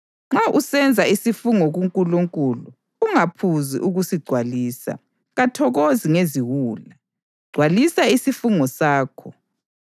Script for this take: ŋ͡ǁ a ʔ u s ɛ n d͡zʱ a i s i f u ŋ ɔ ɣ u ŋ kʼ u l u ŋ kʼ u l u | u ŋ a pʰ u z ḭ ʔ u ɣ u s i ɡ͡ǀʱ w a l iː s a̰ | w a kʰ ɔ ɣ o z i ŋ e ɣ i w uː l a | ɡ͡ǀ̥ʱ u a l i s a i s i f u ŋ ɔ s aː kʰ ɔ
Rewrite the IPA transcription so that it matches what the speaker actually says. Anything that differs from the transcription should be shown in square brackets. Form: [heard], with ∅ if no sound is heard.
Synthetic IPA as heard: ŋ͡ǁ a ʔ u s ɛ n d͡zʱ a i s i f u ŋ ɔ ɣ u ŋ kʼ u l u ŋ kʼ u l u | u ŋ a pʰ u z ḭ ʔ u ɣ u s i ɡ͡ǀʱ w a l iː s a̰ | [ɣ] a [tʰ] ɔ ɣ o z i ŋ e [z] i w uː l a | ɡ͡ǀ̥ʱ [w] a l i s a i s i f u ŋ ɔ s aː kʰ ɔ